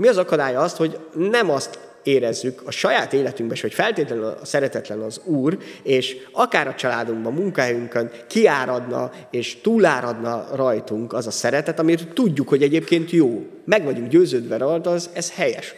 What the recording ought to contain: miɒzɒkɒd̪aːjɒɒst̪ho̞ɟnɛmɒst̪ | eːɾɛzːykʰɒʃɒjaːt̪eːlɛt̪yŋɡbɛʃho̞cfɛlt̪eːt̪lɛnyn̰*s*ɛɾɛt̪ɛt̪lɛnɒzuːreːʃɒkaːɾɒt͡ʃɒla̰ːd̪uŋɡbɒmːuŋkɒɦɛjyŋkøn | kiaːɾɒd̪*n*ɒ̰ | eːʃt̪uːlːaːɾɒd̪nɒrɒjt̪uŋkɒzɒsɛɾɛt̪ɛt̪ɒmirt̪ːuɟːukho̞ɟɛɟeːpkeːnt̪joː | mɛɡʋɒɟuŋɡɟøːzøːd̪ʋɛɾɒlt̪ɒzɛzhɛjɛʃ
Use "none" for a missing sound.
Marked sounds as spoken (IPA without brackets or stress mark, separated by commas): s, n